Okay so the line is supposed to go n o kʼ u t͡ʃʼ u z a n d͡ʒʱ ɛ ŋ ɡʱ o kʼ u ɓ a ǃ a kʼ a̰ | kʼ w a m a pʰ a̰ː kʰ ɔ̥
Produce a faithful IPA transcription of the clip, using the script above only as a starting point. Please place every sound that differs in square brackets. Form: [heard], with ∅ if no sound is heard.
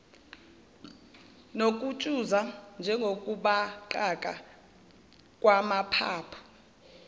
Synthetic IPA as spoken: n o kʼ u t͡ʃʼ u z a n d͡ʒʱ ɛ ŋ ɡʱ o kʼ u ɓ a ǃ a kʼ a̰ | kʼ w a m a pʰ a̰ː [pʰ] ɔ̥